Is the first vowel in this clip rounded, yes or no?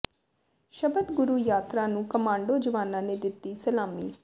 no